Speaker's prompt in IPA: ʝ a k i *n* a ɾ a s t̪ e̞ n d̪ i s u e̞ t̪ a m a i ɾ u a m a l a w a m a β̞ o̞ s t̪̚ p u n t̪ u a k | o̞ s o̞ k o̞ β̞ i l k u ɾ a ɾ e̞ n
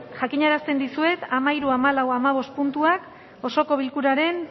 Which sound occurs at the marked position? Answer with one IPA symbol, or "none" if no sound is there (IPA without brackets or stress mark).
ɲ